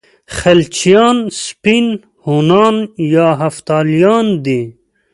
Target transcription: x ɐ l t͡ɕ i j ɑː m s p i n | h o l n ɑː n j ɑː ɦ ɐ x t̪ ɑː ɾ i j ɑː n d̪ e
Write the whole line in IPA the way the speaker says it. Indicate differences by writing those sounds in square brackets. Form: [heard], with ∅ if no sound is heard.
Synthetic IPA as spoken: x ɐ l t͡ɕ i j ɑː [n] s p i n | h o [∅] n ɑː n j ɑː ɦ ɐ [f] t̪ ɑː [l] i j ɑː n d̪ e